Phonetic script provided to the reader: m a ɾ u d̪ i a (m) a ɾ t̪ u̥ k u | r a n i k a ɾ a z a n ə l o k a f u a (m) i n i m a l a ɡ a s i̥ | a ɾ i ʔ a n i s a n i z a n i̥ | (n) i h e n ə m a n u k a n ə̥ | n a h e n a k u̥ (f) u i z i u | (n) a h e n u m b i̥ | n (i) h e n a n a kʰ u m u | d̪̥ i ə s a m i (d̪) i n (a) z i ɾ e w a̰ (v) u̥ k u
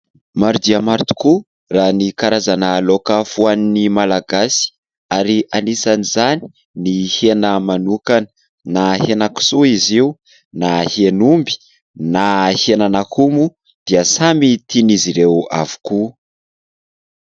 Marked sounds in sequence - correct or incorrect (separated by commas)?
correct, incorrect, correct, incorrect, correct, incorrect, incorrect, incorrect, correct